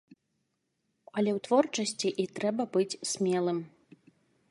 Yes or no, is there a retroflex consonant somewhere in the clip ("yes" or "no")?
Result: yes